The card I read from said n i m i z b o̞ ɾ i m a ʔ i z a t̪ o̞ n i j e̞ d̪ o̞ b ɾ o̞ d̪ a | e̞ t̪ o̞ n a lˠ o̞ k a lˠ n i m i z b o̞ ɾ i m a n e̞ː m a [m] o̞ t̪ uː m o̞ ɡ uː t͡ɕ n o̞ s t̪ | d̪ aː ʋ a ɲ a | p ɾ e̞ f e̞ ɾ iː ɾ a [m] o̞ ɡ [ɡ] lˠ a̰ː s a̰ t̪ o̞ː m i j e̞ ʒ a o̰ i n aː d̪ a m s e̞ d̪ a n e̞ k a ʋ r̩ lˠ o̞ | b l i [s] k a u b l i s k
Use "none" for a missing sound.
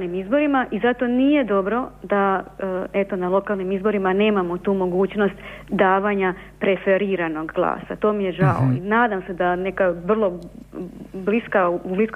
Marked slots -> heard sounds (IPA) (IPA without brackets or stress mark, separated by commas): m, n, ɡ, s